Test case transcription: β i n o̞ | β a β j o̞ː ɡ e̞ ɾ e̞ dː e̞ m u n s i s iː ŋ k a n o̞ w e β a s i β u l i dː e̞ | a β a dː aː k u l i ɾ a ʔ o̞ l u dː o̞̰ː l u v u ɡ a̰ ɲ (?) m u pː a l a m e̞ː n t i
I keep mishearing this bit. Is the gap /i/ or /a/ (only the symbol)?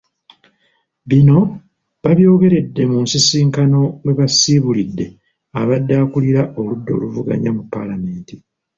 a